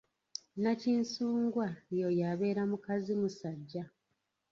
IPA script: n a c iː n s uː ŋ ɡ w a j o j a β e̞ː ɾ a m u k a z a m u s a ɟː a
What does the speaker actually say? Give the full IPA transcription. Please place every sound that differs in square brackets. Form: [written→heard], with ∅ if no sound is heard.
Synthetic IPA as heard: n a c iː n s uː ŋ ɡ w a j o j a β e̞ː ɾ a m u k a z [a→i] m u s a ɟː a